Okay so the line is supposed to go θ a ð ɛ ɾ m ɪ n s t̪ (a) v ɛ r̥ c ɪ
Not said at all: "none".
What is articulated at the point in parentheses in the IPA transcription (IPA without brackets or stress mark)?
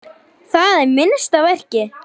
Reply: a